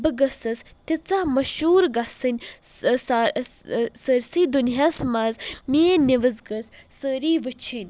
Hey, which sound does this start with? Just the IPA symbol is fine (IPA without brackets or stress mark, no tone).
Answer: b